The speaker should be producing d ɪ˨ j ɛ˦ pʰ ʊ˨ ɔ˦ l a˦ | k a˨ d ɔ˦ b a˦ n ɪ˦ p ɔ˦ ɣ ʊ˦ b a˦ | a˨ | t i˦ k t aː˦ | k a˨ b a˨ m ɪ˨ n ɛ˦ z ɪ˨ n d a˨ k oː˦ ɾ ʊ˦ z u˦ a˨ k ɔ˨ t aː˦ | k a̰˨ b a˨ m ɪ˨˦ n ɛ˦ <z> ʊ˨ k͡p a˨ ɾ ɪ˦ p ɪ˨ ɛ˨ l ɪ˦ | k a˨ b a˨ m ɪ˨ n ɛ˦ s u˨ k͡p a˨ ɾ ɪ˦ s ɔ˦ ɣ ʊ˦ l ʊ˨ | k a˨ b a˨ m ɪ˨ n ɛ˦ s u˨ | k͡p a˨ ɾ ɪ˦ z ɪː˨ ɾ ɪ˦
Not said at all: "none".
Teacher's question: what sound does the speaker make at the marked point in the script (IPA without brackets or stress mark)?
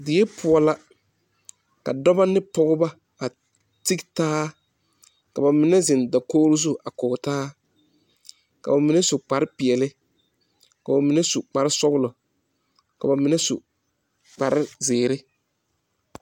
s